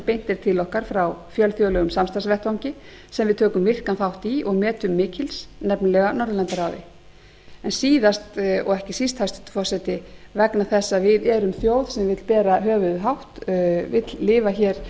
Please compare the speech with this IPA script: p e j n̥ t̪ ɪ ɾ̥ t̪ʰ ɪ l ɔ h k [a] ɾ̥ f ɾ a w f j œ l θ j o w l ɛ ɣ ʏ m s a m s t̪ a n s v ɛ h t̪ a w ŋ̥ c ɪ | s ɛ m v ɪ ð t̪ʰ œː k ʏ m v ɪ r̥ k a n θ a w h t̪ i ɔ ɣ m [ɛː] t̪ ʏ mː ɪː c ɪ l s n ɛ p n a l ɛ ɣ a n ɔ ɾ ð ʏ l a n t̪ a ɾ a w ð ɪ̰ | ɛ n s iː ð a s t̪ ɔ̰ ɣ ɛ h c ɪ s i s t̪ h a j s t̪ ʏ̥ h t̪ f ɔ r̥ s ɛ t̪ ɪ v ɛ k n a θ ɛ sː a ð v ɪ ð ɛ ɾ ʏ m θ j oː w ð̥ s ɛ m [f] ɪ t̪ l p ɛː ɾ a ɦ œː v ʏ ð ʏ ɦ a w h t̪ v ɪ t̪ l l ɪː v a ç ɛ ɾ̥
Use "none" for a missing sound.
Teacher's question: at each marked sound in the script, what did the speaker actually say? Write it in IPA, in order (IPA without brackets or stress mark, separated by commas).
a, ɛː, v